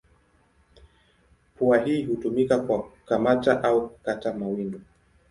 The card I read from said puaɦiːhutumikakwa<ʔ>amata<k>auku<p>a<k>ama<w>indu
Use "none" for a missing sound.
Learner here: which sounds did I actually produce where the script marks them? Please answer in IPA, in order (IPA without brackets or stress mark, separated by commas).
k, ʔ, k, t, w